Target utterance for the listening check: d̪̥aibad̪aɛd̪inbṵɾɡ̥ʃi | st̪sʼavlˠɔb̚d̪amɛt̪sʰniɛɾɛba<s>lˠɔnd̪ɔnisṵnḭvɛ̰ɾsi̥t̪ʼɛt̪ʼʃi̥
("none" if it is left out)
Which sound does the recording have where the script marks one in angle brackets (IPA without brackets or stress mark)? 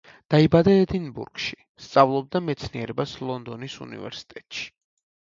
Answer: s